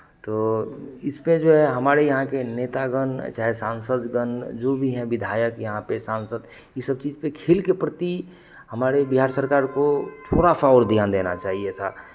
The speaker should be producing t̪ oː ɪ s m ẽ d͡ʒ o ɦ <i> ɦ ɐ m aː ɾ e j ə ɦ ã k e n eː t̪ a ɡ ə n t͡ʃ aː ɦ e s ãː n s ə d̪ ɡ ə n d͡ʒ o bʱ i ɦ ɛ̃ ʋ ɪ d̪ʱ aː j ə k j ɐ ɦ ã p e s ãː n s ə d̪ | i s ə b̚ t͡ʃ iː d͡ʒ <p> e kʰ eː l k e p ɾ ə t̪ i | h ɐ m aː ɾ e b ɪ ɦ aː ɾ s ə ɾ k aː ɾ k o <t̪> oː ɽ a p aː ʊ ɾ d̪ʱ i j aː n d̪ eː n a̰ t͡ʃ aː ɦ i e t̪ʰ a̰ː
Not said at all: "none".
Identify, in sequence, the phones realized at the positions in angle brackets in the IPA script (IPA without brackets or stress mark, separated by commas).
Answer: ɛ, p, t̪ʰ